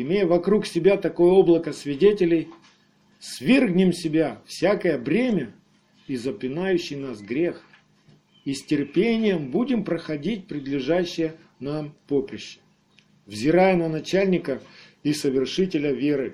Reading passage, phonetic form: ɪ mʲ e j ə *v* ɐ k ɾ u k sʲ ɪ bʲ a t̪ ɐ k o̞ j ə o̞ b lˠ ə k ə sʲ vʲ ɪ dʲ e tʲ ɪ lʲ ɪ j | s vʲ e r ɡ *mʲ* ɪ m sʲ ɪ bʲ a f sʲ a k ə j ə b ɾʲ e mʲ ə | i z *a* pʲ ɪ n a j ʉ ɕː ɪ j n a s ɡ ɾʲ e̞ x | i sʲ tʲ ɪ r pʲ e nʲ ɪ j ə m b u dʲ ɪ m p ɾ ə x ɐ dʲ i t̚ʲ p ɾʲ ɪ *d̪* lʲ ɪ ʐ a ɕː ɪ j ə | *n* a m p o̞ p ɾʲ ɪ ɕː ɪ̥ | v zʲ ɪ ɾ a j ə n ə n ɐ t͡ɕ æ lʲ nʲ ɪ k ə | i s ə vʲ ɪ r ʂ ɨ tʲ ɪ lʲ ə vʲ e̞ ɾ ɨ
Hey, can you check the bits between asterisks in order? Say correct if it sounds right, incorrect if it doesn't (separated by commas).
correct, incorrect, incorrect, correct, correct